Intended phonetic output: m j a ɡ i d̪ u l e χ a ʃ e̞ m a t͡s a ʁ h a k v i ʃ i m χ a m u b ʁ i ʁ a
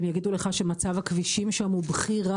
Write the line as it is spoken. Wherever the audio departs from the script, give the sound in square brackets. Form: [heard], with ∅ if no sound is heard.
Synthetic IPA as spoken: m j a ɡ i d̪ u l e χ a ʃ e̞ m a t͡s a [v] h a k v i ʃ i m [ʃ] a m u b [χ] i ʁ a